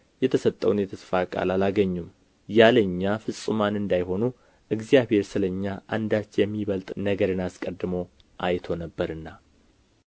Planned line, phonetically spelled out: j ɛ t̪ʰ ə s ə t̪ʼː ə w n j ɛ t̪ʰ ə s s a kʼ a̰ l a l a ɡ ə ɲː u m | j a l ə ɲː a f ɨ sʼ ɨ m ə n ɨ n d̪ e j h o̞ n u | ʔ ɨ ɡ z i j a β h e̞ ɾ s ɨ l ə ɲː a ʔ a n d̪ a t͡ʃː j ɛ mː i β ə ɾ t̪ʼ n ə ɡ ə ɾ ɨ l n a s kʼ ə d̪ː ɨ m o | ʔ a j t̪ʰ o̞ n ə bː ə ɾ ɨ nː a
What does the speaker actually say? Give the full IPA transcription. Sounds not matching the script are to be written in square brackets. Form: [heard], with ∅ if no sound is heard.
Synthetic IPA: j ɛ t̪ʰ ə s ə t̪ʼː ə w n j ɛ t̪ʰ ə s [f] a kʼ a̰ l a l a ɡ ə ɲː u m | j a l ə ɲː a f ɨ sʼ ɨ m [a] n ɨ n d̪ [a] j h o̞ n u | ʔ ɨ ɡ z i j a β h e̞ ɾ s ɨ l ə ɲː a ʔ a n d̪ a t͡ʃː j ɛ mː i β ə [l] t̪ʼ n ə ɡ ə ɾ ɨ [∅] n a s kʼ ə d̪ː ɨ m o | ʔ a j t̪ʰ o̞ n ə bː ə ɾ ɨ nː a